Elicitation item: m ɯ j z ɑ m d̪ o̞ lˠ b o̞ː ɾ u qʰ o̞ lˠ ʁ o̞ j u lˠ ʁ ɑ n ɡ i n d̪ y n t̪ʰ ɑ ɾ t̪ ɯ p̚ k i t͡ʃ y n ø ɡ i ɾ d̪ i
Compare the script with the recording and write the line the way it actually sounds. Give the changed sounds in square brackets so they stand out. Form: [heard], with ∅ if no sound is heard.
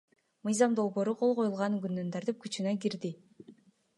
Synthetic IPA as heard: m ɯ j z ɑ m d̪ o̞ lˠ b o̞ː ɾ u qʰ o̞ lˠ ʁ o̞ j u lˠ ʁ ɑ n ɡ [y] n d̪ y n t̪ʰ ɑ ɾ t̪ ɯ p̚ k [y] t͡ʃ y n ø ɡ i ɾ d̪ i